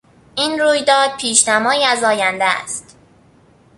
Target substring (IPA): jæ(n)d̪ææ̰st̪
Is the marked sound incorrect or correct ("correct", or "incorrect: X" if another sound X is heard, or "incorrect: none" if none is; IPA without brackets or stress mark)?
correct